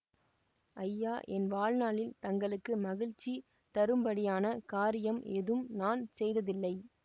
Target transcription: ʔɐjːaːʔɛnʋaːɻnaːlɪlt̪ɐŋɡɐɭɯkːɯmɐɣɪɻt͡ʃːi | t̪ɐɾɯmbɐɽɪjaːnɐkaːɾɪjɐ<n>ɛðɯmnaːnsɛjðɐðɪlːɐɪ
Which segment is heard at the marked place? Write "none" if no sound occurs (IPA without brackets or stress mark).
m